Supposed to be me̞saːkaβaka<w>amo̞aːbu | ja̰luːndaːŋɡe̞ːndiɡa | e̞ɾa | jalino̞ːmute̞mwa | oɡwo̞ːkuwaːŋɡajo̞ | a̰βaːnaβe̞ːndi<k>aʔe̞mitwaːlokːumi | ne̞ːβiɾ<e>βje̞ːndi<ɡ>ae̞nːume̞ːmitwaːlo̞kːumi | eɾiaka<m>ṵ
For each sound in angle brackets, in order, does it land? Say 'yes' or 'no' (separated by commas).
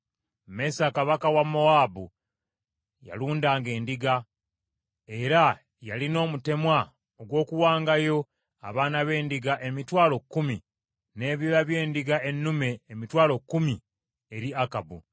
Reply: yes, no, no, yes, no